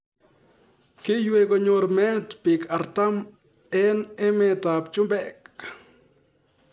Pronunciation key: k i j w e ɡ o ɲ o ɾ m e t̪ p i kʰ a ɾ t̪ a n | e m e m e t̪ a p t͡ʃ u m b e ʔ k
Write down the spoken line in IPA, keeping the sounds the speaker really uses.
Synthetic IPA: k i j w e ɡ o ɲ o ɾ m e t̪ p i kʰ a ɾ t̪ a m | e n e m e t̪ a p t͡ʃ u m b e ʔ k